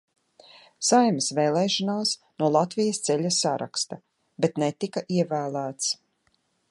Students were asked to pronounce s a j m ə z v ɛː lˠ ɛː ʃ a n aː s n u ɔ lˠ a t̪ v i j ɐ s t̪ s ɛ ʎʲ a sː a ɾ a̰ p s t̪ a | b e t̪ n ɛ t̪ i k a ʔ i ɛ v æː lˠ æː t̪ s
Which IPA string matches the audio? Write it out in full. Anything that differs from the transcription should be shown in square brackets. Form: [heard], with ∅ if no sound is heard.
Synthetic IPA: s a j m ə [s] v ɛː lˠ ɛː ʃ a n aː s n u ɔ lˠ a t̪ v i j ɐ s t̪ s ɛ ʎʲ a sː a ɾ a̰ [k] s t̪ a | b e t̪ n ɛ t̪ i k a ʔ i ɛ v æː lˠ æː t̪ s